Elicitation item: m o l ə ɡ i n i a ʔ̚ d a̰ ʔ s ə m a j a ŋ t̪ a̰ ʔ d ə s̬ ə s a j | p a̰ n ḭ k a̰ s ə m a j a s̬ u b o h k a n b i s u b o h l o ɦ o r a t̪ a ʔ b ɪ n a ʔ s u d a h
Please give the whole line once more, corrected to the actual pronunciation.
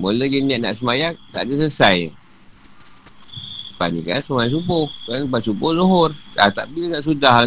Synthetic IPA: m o l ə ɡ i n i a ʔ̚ n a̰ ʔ s ə m a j a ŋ t̪ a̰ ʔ d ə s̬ ə s a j | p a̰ n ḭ k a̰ s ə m a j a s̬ u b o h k a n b a s u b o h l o ɦ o r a t̪ a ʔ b i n a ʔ s u d a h